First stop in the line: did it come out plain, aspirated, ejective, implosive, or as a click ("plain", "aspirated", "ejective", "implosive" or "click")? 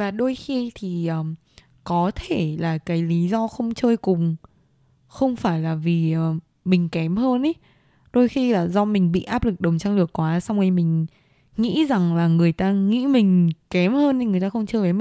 implosive